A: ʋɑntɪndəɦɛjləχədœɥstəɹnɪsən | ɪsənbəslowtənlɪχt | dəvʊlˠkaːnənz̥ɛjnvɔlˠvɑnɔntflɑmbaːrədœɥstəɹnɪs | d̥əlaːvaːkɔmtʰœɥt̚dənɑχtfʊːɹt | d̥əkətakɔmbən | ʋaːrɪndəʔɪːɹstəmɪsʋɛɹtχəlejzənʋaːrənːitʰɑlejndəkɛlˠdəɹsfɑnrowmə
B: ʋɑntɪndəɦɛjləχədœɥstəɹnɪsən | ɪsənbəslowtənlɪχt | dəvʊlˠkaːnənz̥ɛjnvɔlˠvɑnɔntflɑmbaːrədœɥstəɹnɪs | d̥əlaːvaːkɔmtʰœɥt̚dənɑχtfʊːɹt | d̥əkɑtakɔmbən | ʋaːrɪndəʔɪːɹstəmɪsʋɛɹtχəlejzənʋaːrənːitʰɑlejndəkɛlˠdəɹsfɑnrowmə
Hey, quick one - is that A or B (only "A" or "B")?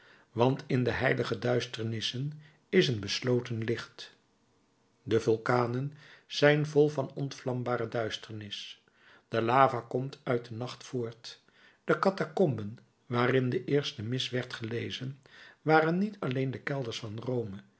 B